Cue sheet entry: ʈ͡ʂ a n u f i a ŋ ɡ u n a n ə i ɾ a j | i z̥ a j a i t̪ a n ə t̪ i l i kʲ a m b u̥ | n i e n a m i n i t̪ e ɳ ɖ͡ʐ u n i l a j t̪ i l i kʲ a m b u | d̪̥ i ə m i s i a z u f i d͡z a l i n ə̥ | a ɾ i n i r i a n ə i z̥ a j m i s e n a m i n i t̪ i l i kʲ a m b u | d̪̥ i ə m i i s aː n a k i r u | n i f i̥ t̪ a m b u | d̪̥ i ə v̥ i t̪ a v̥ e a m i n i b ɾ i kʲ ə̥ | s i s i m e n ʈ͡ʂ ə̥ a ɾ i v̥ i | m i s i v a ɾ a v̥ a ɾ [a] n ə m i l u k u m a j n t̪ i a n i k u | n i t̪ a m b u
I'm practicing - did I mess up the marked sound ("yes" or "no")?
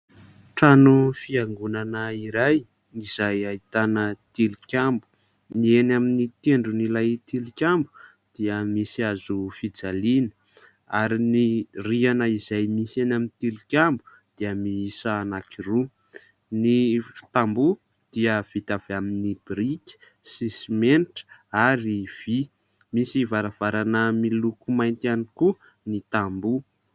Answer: no